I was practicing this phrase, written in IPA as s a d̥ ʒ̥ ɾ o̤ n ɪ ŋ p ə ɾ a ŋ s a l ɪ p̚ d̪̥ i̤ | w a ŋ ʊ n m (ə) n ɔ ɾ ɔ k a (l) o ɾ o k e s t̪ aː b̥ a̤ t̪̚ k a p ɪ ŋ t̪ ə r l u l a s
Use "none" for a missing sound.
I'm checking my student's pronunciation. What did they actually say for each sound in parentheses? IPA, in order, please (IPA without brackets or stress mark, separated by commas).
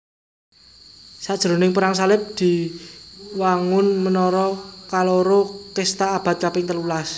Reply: ə, l